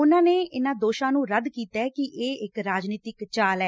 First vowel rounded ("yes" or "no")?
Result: yes